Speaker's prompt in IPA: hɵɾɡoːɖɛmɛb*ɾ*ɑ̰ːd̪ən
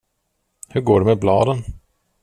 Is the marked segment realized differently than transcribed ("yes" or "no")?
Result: yes